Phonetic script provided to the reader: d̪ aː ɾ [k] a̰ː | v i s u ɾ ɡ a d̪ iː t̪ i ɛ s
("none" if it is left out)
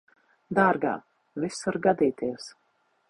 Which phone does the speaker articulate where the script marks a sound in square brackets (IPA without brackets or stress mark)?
ɡ